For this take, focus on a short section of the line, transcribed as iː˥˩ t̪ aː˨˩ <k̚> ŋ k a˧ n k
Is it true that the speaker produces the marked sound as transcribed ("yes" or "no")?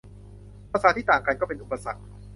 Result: no